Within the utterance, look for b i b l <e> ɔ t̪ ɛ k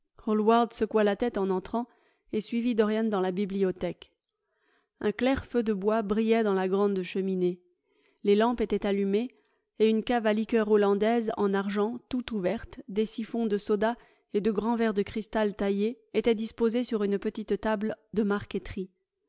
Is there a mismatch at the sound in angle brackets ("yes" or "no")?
yes